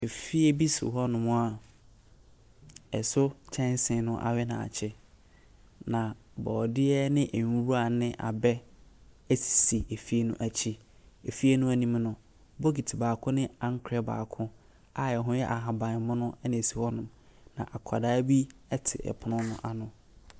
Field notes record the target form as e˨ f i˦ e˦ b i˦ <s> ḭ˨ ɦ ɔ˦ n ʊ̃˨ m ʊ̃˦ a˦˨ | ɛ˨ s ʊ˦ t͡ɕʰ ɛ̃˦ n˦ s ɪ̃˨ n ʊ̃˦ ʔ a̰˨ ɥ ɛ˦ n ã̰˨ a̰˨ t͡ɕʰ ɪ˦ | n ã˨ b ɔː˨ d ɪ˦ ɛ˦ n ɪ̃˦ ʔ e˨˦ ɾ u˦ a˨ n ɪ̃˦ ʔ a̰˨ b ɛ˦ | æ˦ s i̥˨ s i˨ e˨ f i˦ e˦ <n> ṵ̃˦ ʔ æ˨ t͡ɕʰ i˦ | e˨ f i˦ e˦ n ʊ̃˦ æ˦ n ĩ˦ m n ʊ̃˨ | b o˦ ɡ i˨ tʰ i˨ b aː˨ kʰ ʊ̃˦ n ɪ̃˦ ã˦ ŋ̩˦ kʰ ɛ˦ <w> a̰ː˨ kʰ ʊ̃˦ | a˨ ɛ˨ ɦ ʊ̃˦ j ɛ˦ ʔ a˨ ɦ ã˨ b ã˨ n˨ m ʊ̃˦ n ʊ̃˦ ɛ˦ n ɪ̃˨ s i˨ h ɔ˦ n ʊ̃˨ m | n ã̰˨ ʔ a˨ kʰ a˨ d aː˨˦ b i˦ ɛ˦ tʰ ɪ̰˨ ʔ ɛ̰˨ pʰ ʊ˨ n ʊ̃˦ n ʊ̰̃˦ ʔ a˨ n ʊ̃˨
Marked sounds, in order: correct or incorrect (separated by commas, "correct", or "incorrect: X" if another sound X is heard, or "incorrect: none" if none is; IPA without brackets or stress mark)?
correct, correct, incorrect: b